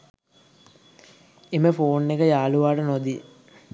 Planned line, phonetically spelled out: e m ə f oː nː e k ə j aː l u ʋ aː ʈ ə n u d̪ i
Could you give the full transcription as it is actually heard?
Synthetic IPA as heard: e m ə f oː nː e k ə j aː l u ʋ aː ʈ ə n o d̪ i